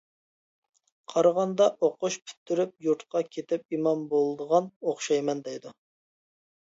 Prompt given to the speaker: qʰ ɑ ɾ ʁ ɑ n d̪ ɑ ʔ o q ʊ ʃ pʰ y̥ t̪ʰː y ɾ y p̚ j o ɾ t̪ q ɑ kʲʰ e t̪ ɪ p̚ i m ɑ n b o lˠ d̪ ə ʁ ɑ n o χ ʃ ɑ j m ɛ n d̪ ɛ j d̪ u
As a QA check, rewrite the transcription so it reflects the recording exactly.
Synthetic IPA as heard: qʰ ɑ ɾ ʁ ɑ n d̪ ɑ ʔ o q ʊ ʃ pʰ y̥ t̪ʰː y ɾ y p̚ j u ɾ t̪ q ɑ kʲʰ e t̪ ɪ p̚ i m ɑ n b o lˠ d̪ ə ʁ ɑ n o χ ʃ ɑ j m ɛ n d̪ ɛ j d̪ u

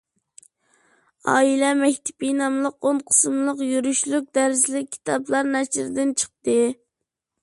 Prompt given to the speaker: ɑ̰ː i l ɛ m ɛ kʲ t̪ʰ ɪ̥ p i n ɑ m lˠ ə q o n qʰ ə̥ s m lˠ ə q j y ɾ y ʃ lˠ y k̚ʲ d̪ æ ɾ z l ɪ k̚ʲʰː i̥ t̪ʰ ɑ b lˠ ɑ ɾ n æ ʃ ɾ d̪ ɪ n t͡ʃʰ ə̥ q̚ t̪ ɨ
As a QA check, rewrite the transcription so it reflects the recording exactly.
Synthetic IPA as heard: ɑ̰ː i l ɛ m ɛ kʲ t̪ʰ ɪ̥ p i n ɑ m lˠ ə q o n qʰ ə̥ s m lˠ ə q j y ɾ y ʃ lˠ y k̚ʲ d̪ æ ɾ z l ɪ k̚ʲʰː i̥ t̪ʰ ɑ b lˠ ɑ ɾ n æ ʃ ɾ d̪ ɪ n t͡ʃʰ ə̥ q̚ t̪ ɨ

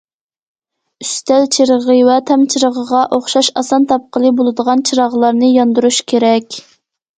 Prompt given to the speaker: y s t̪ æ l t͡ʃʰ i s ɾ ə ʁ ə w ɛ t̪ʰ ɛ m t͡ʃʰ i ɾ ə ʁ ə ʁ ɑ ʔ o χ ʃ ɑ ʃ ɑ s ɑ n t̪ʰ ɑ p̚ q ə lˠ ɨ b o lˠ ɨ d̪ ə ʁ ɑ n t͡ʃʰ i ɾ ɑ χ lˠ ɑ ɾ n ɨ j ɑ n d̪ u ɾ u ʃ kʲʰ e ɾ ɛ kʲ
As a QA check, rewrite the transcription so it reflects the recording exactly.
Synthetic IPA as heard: y s t̪ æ l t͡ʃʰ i ɾ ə ʁ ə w ɛ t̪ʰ ɛ m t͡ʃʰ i ɾ ə ʁ ə ʁ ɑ ʔ o χ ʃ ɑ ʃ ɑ s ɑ n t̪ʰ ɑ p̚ q ə lˠ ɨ b o lˠ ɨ d̪ ə ʁ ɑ n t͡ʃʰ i ɾ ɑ ʁ lˠ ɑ ɾ n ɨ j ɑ n d̪ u ɾ u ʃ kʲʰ e ɾ ɛ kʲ

